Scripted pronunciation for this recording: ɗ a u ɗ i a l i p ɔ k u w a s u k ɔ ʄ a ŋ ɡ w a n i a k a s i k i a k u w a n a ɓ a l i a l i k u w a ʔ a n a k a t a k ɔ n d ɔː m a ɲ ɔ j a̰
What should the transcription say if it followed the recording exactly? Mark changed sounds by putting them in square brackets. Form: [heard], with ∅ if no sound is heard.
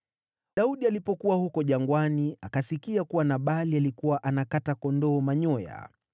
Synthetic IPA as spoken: ɗ a u ɗ i a l i p ɔ k u w a [h] u k ɔ ʄ a ŋ ɡ w a n i a k a s i k i a k u w a n a ɓ a l i a l i k u w a ʔ a n a k a t a k ɔ n d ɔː m a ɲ ɔ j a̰